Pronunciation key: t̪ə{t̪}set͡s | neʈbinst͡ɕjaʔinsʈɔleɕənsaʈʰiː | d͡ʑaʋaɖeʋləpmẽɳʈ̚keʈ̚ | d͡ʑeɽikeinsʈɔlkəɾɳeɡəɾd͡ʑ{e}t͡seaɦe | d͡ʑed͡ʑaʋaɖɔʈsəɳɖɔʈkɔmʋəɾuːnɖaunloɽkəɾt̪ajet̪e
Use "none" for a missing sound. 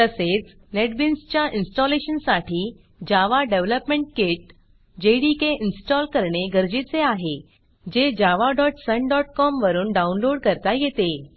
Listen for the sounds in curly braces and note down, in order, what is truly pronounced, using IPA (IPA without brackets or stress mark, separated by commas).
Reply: none, i